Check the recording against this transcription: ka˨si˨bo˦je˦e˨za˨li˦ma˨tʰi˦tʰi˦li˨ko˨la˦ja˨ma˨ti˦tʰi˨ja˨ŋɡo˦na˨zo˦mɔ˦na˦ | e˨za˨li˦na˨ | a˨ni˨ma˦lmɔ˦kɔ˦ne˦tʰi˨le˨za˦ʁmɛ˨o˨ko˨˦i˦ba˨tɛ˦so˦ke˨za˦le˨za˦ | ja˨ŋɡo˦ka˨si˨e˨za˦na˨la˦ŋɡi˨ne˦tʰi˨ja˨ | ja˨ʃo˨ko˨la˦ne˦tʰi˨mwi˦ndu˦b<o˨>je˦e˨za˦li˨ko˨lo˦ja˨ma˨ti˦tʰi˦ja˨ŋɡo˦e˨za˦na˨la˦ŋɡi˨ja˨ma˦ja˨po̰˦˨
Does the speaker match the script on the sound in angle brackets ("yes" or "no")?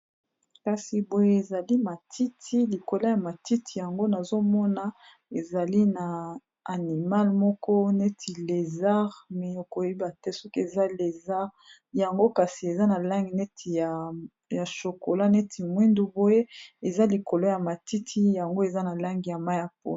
no